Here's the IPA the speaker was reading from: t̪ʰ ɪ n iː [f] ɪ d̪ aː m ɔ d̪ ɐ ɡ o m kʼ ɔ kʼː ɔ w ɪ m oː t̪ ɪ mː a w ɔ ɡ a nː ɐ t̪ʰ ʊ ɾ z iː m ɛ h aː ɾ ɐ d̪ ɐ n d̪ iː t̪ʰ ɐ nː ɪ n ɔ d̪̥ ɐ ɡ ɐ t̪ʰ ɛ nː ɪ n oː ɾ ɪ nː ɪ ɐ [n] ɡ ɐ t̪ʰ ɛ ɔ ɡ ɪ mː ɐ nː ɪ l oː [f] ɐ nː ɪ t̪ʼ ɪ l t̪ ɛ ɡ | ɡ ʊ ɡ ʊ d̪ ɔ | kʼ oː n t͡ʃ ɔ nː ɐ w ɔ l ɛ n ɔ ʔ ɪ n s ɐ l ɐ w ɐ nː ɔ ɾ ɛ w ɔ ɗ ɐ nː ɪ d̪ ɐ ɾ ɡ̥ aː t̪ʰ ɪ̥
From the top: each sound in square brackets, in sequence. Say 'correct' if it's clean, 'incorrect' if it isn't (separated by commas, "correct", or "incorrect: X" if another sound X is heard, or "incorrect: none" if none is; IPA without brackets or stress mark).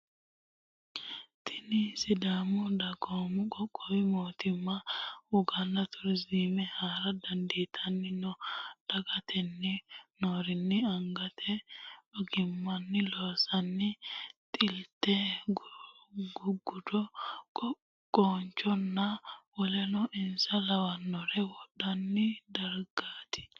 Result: incorrect: s, incorrect: ŋ, incorrect: s